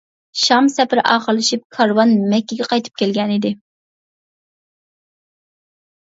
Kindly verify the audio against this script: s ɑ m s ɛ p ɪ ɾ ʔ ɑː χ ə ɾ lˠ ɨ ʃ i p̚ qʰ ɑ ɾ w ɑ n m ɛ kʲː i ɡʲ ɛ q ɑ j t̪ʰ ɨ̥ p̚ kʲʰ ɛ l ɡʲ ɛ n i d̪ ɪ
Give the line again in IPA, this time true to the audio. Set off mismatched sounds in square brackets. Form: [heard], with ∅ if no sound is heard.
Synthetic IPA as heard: [ʃ] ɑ m s ɛ p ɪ ɾ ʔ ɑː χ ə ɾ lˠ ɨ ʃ i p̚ [kʰ] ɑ ɾ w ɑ n m ɛ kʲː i ɡʲ ɛ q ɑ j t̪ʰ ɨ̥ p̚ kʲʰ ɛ l ɡʲ ɛ n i d̪ ɪ